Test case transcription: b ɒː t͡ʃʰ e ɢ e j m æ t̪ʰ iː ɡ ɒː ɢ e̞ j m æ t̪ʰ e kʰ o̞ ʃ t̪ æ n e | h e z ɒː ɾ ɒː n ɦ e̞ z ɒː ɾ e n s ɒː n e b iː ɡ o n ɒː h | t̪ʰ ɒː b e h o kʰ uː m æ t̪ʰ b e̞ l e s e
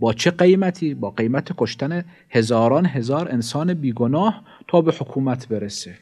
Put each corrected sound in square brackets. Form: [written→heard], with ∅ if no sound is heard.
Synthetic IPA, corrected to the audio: b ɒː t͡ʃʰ e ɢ e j m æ t̪ʰ iː [ɡ→b] ɒː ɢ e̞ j m æ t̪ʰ e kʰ o̞ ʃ t̪ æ n e | h e z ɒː ɾ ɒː n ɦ e̞ z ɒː ɾ e n s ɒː n e b iː ɡ o n ɒː h | t̪ʰ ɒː b e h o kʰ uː m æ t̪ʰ b e̞ [l→ɾ] e s e